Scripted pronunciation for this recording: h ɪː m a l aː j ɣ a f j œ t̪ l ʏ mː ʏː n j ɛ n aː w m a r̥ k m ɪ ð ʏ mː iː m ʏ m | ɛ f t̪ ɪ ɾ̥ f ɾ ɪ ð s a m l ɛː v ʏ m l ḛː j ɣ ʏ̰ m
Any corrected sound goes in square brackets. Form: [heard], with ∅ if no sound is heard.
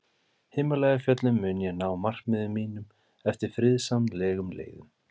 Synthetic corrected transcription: h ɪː m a l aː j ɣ a f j œ t̪ l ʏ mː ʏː n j ɛ n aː w m a r̥ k m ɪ ð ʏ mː iː [n] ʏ m | ɛ f t̪ ɪ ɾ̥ f ɾ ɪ ð s a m l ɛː [ɣ] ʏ m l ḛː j ɣ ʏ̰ m